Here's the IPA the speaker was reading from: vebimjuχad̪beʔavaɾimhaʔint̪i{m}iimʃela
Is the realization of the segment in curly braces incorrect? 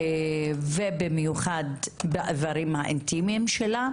no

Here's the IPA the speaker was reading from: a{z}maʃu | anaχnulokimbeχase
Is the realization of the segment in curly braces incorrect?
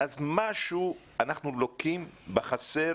no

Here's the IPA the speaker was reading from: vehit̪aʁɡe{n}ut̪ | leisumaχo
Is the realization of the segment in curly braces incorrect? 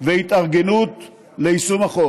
no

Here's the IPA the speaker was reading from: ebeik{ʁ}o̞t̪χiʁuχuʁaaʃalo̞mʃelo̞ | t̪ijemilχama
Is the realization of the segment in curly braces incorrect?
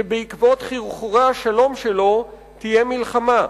yes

